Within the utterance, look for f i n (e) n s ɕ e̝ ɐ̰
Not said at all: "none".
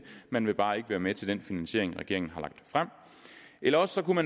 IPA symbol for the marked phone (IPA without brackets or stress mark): æ